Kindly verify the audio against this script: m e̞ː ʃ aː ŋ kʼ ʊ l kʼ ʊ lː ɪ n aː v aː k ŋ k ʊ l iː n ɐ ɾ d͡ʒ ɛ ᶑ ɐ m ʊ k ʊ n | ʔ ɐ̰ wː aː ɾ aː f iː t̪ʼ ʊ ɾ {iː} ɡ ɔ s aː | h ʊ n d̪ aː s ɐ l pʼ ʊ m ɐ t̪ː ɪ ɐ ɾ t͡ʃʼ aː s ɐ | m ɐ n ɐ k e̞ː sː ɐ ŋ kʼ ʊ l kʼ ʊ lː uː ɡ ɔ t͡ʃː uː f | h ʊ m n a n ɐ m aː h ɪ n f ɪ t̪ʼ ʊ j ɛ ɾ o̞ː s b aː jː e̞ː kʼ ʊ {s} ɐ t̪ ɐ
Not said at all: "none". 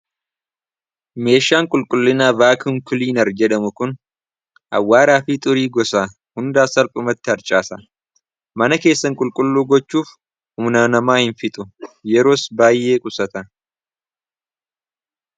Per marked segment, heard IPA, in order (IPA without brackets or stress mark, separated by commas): iː, s